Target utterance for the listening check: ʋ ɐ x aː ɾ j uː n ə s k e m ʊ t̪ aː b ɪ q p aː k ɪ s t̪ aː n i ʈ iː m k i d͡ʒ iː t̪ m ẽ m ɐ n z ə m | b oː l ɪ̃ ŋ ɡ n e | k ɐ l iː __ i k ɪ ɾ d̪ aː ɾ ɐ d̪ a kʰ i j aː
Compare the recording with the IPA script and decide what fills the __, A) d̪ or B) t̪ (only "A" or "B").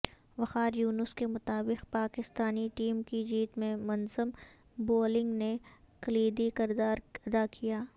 A